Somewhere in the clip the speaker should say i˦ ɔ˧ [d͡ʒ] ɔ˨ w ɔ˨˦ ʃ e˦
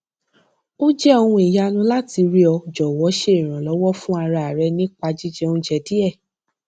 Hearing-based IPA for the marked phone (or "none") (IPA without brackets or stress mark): d͡ʒ